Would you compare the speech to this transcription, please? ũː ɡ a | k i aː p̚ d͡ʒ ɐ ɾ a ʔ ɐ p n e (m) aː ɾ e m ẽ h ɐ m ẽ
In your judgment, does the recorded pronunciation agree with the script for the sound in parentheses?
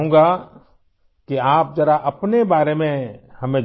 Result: no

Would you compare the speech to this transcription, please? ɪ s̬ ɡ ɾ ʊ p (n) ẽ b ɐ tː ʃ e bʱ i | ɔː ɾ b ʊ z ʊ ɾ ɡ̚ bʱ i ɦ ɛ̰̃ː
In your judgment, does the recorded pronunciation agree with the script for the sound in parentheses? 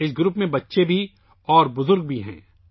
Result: no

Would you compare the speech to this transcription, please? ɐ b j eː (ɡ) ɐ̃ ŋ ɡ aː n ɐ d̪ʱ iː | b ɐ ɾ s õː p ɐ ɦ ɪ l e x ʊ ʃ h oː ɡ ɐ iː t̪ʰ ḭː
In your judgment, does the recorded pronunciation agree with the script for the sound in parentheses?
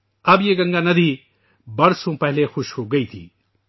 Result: yes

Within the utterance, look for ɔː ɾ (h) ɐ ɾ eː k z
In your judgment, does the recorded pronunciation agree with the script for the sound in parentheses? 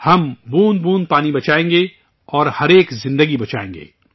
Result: yes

